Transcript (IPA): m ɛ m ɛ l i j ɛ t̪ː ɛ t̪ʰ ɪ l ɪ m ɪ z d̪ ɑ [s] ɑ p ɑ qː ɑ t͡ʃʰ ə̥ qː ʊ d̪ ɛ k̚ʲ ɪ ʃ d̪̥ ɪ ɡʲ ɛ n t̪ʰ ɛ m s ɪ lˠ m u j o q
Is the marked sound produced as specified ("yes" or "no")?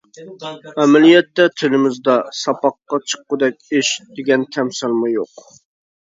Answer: yes